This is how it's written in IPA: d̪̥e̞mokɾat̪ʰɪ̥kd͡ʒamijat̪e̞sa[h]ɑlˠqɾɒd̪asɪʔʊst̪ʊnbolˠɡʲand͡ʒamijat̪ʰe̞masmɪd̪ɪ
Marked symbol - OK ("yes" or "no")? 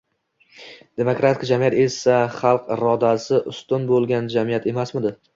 no